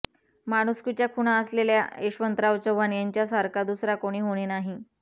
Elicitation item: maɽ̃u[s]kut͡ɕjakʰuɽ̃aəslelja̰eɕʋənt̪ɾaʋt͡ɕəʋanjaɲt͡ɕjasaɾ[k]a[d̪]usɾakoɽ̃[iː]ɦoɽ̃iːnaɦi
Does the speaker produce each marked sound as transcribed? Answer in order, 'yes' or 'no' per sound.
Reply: yes, yes, yes, yes

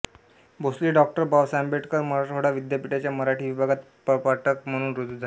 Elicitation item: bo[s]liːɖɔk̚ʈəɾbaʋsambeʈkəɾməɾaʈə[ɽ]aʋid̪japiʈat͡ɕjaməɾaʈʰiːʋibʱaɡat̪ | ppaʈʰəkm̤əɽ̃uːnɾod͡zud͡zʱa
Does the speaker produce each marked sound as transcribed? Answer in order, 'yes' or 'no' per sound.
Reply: yes, yes

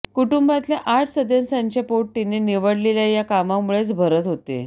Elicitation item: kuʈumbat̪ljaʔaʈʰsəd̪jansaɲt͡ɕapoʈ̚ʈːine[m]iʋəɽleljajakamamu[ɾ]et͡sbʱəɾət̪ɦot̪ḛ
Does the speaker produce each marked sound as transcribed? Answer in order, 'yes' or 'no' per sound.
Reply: no, no

